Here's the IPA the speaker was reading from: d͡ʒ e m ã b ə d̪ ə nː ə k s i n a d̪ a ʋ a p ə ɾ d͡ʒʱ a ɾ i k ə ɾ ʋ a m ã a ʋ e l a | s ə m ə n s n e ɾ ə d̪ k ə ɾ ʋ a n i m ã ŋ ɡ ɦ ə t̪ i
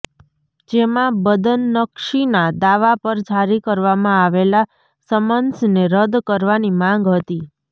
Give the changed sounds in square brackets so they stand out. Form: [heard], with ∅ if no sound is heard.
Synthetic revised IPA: d͡ʒ e m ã b ə d̪ ə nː ə k [ʃ] i n a d̪ a ʋ a p ə ɾ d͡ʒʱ a ɾ i k ə ɾ ʋ a m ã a ʋ e l a | s ə m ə n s n e ɾ ə d̪ k ə ɾ ʋ a n i m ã ŋ ɡ ɦ ə t̪ i